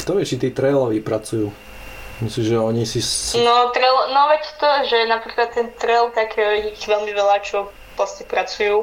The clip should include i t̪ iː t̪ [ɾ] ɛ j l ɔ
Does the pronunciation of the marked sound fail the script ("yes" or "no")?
no